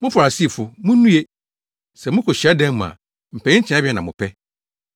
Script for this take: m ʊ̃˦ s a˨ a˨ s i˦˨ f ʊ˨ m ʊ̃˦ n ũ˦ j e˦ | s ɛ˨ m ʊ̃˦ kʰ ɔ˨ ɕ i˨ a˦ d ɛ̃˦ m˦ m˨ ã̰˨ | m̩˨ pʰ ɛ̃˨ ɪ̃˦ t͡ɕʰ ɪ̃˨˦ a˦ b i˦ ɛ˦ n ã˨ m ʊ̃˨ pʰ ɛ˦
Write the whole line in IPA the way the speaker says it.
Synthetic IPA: m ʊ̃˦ f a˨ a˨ s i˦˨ f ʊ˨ m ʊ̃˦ n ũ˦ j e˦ | s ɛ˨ m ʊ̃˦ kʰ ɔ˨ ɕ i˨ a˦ d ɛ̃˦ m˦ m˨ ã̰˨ | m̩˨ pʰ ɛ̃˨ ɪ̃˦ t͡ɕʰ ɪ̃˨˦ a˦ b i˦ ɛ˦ n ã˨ m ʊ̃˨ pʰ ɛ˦